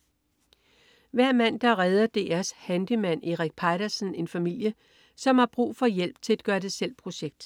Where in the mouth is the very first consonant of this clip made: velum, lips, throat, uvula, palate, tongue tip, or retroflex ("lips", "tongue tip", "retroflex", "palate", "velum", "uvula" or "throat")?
lips